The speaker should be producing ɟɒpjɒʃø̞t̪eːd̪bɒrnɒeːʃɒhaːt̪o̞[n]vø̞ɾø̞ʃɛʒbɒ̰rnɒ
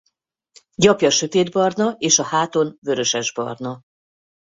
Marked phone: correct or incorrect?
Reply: correct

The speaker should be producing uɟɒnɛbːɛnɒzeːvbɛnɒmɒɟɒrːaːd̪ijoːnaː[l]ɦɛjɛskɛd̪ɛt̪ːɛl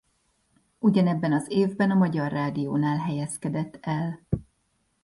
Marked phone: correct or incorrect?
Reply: correct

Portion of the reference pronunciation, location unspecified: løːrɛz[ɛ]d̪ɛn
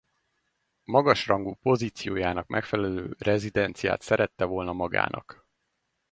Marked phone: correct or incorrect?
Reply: incorrect: i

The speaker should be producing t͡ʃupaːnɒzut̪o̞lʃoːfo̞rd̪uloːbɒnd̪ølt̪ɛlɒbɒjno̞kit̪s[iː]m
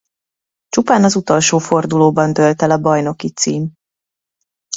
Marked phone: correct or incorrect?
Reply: correct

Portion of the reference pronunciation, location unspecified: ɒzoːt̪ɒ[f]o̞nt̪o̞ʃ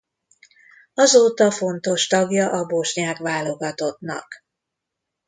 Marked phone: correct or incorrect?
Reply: correct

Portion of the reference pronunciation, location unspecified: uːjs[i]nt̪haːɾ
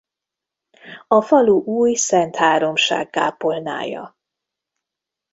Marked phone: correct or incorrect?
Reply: incorrect: ɛ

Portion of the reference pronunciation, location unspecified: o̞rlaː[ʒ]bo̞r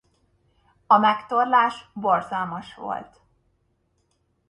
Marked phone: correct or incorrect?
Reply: incorrect: ʃ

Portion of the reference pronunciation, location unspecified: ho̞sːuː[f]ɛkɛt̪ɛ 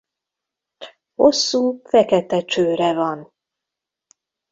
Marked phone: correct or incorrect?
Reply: correct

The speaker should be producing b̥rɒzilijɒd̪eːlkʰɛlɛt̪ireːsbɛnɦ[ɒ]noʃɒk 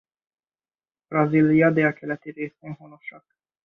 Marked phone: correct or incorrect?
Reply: incorrect: o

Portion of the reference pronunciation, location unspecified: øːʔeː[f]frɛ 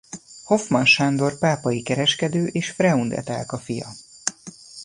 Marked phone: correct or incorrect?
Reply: incorrect: ʃ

